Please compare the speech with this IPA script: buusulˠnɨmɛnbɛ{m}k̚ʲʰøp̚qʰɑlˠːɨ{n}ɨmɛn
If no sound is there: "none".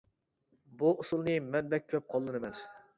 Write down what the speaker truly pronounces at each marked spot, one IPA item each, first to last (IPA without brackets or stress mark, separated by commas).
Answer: none, n